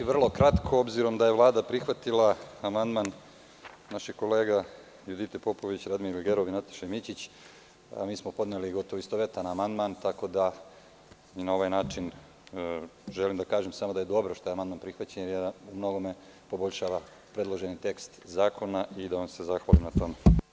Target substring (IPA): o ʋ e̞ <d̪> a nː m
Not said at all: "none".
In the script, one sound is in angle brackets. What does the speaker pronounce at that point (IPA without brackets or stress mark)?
t̪